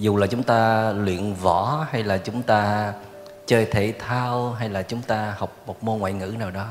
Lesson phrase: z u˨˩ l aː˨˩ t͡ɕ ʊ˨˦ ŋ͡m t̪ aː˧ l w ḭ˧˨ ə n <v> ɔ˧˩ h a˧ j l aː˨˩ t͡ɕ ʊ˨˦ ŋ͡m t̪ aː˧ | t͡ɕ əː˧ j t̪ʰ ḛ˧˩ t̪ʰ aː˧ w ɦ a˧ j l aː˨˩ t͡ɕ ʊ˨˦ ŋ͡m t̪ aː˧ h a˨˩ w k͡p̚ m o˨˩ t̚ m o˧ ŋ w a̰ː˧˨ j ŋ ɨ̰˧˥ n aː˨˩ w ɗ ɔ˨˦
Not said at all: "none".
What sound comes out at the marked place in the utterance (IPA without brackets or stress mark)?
v